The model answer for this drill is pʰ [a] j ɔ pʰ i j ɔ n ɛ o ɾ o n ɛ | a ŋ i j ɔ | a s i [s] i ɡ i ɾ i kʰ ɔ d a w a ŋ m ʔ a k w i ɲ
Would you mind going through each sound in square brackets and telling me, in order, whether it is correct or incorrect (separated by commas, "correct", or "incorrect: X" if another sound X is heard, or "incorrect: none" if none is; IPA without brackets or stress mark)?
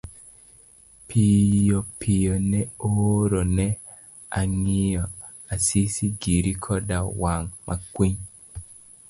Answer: incorrect: i, correct